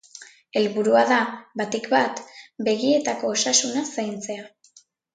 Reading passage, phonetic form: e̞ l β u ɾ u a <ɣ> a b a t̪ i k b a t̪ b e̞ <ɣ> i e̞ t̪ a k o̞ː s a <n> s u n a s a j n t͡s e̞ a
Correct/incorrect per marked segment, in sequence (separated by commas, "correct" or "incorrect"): incorrect, correct, incorrect